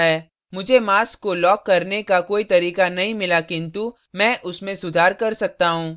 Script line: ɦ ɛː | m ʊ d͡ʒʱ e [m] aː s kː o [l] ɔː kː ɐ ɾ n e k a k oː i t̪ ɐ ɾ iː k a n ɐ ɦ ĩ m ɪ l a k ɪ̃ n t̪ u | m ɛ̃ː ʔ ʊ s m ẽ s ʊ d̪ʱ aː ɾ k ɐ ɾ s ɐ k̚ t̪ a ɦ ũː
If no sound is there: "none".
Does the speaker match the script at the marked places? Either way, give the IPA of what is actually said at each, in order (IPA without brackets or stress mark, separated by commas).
m, l